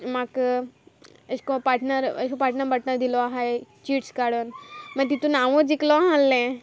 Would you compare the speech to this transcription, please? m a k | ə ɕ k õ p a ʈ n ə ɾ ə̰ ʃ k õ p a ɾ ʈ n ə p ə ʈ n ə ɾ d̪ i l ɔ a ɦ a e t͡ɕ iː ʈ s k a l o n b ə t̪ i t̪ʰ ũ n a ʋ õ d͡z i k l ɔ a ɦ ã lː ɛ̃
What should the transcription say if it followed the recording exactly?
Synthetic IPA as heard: m a k | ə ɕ k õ p a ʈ n ə ɾ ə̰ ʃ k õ p a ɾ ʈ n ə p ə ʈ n ə ɾ d̪ i l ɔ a ɦ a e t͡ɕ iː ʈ s k a ɽ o n m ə t̪ i t̪ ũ n a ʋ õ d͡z i k l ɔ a ɦ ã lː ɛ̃